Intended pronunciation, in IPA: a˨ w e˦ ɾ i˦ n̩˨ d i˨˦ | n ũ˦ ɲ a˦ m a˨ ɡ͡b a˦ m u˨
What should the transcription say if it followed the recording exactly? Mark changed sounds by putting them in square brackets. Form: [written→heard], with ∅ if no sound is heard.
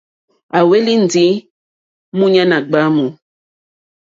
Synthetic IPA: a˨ w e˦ [ɾ→l] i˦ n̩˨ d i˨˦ | [n→m] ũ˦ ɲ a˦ [m→n] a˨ ɡ͡b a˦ m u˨